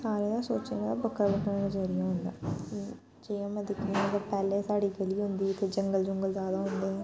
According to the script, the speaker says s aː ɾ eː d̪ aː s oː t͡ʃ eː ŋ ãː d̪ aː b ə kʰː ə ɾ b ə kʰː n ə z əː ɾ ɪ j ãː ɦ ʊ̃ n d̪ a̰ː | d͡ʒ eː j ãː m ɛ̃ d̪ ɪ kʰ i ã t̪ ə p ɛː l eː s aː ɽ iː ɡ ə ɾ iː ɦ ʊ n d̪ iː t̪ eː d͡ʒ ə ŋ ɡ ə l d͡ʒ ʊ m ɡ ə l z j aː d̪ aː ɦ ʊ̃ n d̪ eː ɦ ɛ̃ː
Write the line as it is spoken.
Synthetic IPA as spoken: s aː ɾ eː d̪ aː s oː t͡ʃ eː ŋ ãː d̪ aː b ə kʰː ə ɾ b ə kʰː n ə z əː ɾ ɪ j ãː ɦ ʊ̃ n d̪ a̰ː | d͡ʒ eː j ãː m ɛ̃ d̪ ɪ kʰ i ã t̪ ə p ɛː l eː s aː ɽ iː ɡ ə l iː ɦ ʊ n d̪ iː t̪ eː d͡ʒ ə ŋ ɡ ə l d͡ʒ ʊ ŋ ɡ ə l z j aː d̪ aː ɦ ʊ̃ n d̪ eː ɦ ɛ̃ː